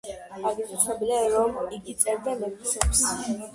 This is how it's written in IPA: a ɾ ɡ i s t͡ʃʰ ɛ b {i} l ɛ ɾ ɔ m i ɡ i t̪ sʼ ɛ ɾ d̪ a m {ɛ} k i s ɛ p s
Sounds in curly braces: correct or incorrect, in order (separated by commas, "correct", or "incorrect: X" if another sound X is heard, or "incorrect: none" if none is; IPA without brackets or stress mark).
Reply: correct, correct